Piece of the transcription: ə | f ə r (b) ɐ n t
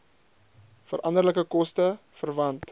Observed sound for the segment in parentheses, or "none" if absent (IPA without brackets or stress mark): v